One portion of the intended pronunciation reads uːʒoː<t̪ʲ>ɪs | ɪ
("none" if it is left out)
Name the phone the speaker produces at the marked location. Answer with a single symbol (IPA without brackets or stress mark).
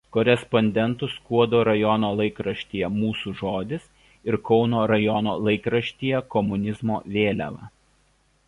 d̪ʲ